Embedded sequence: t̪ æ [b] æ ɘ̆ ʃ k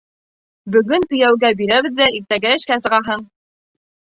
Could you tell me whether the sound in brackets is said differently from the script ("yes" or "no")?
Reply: yes